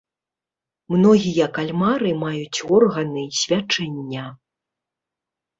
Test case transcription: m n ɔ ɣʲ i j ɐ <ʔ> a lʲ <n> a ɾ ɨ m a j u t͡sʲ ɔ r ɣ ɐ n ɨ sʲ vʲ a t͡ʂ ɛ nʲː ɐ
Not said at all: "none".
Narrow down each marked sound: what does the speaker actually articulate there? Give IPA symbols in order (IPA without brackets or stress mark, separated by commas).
k, m